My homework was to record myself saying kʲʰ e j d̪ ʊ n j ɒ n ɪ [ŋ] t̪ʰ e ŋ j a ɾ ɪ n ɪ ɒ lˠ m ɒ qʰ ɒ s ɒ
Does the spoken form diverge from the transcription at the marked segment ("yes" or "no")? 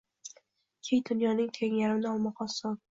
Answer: no